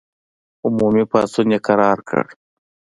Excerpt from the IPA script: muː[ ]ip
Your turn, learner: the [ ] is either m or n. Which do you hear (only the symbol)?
m